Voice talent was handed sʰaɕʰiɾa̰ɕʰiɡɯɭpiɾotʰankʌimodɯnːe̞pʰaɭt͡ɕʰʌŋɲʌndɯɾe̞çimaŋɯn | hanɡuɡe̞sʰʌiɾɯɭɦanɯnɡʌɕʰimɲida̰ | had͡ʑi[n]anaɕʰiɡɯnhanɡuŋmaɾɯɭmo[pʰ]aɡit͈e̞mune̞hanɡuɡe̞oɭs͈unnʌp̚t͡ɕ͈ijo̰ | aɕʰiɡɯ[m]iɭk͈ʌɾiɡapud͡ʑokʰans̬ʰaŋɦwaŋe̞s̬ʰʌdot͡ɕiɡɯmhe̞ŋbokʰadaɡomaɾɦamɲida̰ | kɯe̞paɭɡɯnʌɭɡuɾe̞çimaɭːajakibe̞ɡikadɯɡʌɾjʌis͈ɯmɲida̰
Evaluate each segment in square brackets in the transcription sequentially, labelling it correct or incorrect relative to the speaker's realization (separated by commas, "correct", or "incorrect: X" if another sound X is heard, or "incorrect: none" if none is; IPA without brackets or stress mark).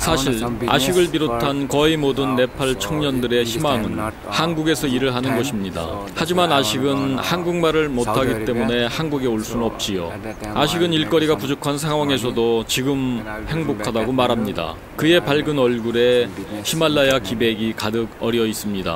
incorrect: m, incorrect: tʰ, incorrect: n